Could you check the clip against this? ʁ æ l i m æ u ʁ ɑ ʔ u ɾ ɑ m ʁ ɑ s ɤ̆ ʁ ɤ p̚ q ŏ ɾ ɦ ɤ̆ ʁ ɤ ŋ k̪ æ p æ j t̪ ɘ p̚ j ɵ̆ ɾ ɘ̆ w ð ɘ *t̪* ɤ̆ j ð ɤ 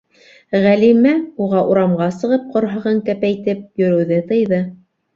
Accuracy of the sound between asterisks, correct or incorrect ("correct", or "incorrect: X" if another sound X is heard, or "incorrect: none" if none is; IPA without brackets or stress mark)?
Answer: correct